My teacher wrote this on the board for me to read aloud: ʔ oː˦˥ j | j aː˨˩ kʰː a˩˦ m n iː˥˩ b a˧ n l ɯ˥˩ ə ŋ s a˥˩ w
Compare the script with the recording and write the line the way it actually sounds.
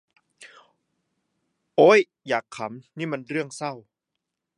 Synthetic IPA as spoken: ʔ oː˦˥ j | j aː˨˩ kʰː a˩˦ m n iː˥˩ m a˧ n ɾ ɯ˥˩ ə ŋ s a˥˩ w